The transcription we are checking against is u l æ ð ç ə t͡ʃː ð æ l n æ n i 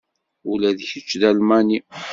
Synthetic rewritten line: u l æ ð ç ə t͡ʃː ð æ l m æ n i